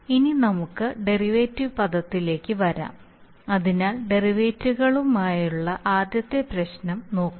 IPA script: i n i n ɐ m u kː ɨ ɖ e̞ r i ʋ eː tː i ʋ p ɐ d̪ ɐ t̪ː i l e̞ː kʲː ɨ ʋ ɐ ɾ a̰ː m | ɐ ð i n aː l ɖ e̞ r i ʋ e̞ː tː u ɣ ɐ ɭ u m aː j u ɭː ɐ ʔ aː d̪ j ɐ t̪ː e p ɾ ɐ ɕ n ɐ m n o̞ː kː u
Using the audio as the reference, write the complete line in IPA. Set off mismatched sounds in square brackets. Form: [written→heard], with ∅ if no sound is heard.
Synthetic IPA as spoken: i n i n ɐ m u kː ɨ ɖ e̞ r i ʋ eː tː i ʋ p ɐ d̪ ɐ t̪ː i l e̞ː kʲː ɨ ʋ ɐ ɾ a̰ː m | ɐ ð i n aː l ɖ e̞ r i ʋ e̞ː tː u ɣ ɐ ɭ u m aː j u ɭː ɐ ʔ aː d̪ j ɐ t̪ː e p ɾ ɐ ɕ n ɐ m n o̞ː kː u